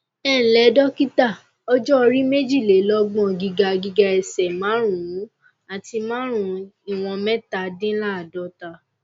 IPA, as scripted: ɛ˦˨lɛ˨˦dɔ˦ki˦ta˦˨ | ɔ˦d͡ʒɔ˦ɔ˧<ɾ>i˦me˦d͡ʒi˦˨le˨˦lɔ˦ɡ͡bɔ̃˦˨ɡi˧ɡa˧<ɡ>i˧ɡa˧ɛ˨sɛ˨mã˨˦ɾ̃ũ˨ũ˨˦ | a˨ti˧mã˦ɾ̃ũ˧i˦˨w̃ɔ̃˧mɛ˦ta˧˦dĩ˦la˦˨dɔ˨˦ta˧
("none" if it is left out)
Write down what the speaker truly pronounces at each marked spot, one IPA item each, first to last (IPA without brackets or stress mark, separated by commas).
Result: ɾ, ɡ